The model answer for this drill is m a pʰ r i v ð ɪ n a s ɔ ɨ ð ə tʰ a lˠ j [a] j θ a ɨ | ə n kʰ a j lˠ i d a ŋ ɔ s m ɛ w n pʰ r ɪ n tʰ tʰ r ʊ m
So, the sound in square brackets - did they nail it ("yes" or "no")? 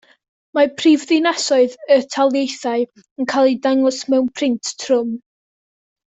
no